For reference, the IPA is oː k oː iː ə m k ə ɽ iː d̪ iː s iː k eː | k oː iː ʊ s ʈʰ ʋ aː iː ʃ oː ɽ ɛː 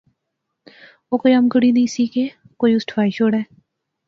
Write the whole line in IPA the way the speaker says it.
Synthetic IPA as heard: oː k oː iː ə m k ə ɽ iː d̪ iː s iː k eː | k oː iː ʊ s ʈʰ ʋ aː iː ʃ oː ɽ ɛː